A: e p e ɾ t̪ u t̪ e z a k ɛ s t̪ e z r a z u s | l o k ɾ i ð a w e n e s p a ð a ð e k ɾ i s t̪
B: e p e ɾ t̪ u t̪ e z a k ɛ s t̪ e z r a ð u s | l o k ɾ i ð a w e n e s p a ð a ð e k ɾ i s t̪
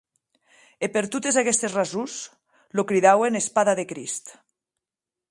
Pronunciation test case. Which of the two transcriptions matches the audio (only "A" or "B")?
A